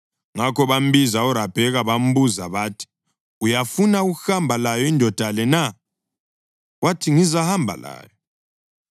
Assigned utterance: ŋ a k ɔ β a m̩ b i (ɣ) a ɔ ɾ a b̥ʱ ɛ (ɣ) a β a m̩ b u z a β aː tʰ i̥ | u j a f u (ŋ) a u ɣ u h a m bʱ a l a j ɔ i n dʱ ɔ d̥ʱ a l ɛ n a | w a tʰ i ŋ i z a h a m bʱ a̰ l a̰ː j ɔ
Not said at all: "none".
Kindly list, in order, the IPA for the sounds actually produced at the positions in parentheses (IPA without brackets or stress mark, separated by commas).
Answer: z, ɣ, n